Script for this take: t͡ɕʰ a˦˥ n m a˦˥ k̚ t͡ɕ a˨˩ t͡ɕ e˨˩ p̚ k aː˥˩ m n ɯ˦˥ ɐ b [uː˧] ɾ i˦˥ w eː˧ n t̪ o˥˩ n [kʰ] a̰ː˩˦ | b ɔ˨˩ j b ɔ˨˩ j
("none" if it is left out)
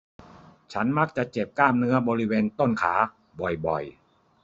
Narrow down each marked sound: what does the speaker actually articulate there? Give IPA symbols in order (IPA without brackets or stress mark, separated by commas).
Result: ɔː˧, kʰ